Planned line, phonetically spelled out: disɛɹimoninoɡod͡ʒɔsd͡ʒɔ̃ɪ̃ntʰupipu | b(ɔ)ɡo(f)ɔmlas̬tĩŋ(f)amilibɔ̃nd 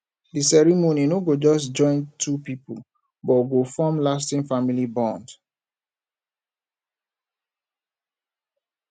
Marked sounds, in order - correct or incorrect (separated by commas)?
correct, correct, correct